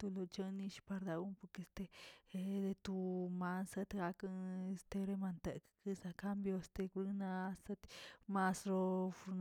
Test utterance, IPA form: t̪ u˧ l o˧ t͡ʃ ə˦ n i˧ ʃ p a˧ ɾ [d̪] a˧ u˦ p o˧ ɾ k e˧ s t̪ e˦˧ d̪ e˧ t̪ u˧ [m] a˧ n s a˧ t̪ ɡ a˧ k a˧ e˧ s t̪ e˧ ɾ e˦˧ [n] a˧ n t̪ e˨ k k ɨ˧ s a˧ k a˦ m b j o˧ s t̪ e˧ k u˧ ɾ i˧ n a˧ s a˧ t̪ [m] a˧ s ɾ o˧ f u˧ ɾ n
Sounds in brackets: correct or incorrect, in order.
correct, correct, incorrect: m, correct

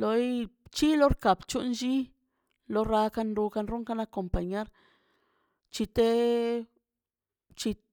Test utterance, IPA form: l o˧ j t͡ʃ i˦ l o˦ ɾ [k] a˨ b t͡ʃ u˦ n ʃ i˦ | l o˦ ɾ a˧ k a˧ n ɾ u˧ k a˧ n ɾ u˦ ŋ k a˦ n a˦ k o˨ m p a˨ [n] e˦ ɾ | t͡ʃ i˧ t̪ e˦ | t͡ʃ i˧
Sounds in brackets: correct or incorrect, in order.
correct, incorrect: ɲ

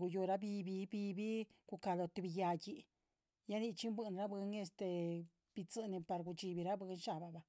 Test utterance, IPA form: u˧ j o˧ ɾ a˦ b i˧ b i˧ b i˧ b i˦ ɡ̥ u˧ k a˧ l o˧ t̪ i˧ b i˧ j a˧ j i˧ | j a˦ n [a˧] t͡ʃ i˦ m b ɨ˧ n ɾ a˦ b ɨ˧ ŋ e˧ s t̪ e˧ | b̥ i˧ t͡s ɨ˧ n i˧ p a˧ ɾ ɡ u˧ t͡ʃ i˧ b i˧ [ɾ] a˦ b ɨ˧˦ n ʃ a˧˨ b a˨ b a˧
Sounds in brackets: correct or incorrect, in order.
incorrect: i˧, correct

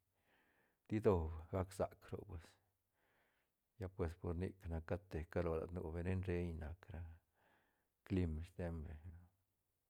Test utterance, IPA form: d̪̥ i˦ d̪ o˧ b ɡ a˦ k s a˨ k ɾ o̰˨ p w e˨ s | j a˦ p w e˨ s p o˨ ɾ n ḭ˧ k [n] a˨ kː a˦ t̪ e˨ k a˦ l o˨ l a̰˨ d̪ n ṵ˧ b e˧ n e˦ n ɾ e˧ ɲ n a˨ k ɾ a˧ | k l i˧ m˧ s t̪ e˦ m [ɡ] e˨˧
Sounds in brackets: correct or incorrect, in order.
correct, incorrect: b

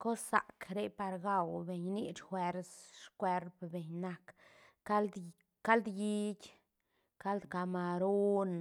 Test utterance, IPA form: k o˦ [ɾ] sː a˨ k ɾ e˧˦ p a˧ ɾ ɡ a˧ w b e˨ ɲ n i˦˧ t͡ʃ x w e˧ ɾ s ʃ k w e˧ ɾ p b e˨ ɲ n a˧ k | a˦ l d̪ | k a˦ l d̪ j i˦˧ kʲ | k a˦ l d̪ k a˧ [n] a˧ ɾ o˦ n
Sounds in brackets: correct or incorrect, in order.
incorrect: none, incorrect: m

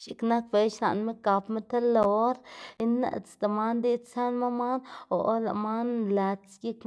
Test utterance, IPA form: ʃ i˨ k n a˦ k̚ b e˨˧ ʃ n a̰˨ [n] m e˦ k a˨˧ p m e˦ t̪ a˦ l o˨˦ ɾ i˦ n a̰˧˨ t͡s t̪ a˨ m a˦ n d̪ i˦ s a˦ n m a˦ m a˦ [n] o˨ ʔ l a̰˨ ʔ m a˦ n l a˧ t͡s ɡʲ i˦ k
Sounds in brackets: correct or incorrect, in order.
correct, correct

